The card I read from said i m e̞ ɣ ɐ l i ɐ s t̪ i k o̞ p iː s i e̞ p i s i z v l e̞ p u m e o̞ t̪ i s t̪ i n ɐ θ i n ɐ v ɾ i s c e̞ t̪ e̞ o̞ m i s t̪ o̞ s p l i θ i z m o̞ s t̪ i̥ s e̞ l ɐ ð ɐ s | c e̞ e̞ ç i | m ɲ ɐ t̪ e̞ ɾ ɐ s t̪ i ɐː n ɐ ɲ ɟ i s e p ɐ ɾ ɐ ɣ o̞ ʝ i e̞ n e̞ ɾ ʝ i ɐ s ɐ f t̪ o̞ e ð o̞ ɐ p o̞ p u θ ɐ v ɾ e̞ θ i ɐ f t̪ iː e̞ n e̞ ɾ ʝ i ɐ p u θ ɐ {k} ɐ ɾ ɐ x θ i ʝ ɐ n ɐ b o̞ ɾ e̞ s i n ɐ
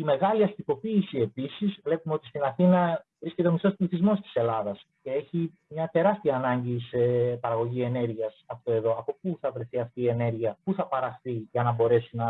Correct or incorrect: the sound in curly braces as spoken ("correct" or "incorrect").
incorrect